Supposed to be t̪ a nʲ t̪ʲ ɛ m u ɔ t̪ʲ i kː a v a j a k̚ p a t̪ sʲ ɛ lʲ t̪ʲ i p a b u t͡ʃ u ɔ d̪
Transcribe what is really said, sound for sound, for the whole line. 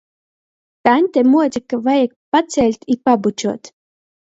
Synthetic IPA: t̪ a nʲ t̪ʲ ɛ m u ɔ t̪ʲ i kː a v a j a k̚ p a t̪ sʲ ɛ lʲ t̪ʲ i p a b u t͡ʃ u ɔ t̪